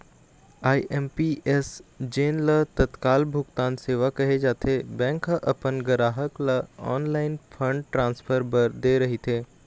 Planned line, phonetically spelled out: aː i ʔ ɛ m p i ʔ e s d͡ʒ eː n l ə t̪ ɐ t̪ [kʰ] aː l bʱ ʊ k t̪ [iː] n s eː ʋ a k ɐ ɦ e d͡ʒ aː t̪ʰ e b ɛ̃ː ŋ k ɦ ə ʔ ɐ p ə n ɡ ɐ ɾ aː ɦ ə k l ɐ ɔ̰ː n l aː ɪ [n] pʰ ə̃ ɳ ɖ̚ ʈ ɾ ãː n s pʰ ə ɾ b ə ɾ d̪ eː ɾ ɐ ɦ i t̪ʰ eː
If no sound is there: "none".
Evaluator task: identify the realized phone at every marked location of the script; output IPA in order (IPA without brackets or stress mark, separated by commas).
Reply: k, aː, n